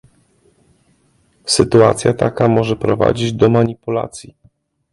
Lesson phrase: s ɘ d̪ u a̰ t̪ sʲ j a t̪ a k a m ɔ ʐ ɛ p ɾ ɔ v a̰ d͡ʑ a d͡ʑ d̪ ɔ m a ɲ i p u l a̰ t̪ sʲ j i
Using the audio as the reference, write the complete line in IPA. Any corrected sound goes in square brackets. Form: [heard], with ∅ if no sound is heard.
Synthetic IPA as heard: s ɘ [t̪] u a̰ t̪ sʲ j a t̪ a k a m ɔ ʐ ɛ p ɾ ɔ v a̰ d͡ʑ [i] d͡ʑ d̪ ɔ m a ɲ i p u l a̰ t̪ sʲ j i